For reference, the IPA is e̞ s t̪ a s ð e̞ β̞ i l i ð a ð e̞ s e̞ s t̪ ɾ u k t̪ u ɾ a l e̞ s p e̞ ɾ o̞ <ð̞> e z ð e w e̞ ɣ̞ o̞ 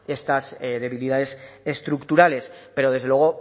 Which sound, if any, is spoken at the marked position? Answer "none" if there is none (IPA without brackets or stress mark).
ð̞